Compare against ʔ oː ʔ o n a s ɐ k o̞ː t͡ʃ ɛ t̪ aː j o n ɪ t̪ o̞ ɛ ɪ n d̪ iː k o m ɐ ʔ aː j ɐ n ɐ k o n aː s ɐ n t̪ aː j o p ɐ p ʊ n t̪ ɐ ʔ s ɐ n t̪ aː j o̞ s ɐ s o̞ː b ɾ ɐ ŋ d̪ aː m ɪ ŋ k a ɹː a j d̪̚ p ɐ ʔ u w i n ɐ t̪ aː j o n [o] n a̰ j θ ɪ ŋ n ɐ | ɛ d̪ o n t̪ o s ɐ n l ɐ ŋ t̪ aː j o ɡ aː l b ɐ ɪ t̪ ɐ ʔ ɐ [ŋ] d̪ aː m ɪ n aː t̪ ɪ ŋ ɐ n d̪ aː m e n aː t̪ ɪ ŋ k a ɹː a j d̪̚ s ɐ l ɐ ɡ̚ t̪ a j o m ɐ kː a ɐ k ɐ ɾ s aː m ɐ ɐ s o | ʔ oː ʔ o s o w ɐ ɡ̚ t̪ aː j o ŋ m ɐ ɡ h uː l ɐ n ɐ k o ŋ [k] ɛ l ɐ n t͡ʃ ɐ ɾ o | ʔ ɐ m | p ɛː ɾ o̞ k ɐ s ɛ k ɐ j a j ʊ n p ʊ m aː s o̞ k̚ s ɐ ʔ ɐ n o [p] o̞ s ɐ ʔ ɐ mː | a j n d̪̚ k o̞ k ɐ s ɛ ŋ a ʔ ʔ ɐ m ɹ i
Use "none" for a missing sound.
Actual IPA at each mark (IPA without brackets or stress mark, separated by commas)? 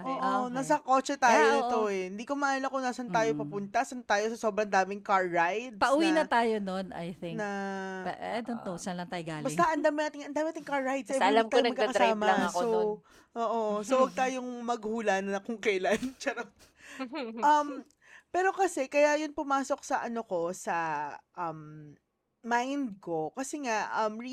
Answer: o, n, k, k